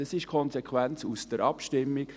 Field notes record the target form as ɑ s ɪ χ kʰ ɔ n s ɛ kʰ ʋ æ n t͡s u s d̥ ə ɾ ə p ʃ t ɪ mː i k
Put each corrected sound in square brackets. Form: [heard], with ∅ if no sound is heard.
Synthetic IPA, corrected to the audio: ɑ s ɪ [ʃ] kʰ ɔ n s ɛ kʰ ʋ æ n t͡s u s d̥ ə ɾ [ɑ] p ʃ t ɪ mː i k